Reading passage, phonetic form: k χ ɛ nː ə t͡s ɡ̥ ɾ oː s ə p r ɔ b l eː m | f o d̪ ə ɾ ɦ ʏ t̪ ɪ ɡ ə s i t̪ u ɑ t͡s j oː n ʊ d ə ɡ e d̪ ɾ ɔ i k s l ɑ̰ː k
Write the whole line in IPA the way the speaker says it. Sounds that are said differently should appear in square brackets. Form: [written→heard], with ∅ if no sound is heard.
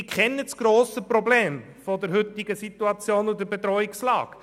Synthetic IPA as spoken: k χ ɛ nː ə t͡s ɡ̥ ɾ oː s ə p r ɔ b l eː m | f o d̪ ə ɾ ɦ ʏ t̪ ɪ ɡ ə s i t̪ u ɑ t͡s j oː n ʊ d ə [ɡ→b] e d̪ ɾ ɔ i k s l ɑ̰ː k